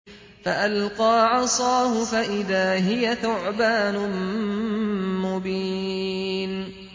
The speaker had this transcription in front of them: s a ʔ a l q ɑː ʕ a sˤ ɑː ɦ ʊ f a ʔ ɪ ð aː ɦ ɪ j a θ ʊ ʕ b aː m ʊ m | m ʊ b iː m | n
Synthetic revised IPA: f a ʔ a l q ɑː ʕ ɑ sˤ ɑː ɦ ʊ f a ʔ ɪ ð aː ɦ ɪ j a θ ʊ ʕ b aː n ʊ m | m ʊ b iː | n